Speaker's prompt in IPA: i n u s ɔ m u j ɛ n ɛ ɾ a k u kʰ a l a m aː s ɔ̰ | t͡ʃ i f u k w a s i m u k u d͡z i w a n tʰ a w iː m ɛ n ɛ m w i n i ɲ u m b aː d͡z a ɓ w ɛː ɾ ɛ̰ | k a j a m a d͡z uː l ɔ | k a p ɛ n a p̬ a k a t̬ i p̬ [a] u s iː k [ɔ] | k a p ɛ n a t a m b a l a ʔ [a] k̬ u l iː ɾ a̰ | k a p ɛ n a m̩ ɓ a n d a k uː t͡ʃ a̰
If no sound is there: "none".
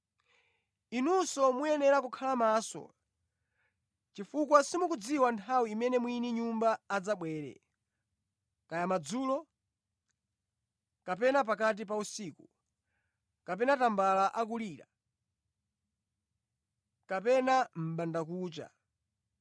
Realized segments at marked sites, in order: a, u, a

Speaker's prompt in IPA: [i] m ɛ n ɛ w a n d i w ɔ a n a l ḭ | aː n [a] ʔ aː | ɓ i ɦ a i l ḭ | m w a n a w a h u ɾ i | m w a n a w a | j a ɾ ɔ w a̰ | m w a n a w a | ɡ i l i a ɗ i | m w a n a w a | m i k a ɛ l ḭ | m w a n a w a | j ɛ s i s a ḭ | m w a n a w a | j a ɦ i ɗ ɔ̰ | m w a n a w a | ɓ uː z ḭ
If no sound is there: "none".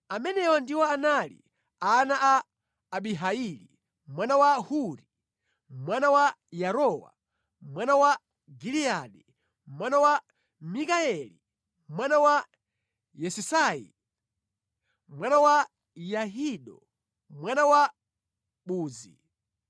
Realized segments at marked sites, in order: a, a

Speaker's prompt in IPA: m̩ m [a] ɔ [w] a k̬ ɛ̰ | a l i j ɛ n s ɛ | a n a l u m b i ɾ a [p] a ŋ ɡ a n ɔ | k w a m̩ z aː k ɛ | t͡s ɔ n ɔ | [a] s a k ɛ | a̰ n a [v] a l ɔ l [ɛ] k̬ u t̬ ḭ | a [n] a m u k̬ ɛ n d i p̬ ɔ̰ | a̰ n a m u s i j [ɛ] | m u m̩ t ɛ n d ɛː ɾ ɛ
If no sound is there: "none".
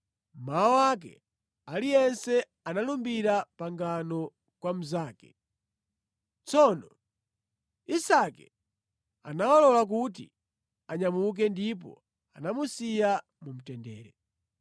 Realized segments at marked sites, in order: a, w, p, i, w, a, ɲ, a

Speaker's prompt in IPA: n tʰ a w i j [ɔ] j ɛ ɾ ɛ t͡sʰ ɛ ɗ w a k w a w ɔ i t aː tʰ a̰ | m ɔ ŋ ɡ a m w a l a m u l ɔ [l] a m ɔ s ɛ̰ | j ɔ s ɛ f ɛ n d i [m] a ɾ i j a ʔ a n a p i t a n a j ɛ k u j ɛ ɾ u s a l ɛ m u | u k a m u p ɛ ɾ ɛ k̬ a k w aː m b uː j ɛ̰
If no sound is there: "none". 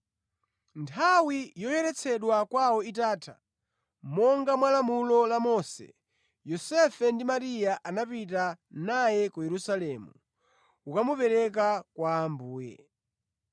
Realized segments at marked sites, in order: ɔ, l, m

